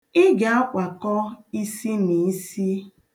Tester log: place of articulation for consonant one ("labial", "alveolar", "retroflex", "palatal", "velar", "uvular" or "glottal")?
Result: velar